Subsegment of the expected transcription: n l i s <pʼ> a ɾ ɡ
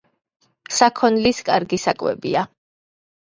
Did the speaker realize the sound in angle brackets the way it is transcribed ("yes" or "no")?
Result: no